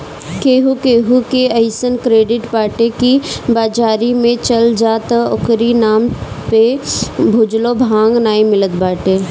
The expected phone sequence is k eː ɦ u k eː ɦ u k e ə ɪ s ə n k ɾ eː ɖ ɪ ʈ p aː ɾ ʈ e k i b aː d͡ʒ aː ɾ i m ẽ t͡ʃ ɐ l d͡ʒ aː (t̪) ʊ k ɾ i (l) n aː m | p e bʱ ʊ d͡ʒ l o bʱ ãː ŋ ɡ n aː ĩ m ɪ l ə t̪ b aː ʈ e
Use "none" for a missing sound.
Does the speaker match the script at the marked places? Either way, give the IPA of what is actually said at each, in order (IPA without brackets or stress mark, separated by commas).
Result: t̪, none